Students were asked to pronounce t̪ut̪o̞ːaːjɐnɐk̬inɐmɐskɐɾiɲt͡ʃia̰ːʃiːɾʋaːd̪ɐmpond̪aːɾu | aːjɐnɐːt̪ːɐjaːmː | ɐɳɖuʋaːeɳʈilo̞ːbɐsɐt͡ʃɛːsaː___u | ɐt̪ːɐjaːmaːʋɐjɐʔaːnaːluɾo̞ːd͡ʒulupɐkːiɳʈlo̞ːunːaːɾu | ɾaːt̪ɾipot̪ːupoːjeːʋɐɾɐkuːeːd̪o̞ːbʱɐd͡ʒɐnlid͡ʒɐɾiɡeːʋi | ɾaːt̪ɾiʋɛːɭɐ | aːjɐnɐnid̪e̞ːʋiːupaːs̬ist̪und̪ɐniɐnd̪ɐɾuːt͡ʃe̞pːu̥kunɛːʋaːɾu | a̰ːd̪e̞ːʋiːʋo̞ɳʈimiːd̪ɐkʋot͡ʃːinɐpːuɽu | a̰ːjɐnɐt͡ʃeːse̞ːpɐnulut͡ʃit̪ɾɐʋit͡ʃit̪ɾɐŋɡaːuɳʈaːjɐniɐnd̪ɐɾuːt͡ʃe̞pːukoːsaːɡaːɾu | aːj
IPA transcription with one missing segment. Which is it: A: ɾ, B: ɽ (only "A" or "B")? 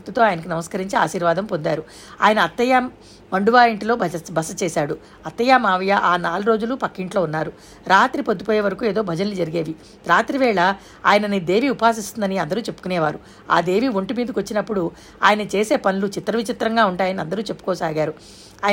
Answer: B